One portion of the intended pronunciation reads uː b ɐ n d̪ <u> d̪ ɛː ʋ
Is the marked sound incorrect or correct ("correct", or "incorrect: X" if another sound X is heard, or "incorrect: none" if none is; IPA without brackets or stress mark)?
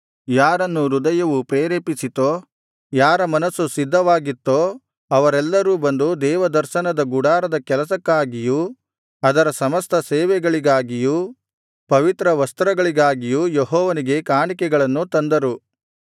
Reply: correct